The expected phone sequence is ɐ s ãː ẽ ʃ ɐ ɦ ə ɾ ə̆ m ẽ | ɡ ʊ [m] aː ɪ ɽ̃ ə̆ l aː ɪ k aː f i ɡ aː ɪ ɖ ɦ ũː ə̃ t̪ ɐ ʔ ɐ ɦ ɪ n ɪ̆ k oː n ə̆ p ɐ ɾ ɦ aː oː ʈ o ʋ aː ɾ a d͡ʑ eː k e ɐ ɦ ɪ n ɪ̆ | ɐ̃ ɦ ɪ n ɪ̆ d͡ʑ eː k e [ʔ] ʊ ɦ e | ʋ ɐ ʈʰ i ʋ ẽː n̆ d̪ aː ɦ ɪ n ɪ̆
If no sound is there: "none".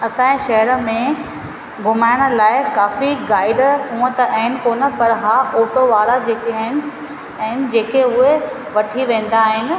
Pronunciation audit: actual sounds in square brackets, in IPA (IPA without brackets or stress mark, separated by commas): m, none